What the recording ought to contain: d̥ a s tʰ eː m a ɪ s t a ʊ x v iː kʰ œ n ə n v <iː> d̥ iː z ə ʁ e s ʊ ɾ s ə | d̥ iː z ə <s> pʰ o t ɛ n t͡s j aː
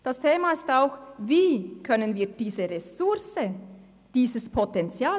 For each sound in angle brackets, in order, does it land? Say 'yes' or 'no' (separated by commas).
yes, yes